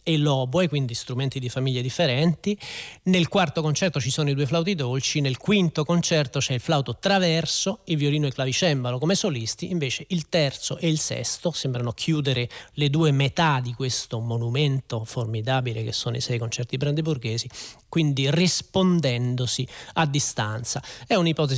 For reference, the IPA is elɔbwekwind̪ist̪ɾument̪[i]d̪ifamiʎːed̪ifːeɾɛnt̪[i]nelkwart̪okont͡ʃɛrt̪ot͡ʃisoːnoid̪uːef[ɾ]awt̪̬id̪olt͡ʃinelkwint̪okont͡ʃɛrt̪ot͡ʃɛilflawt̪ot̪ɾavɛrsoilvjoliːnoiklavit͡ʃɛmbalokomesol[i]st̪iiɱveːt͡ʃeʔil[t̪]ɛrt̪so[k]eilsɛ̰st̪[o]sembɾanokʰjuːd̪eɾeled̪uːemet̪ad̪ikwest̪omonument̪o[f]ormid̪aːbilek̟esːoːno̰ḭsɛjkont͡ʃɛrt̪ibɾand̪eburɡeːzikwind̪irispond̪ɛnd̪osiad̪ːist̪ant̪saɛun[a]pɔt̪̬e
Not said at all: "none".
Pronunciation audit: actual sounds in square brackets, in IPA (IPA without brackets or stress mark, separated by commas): i, i, l, i, t̪, ʔ, o, f, i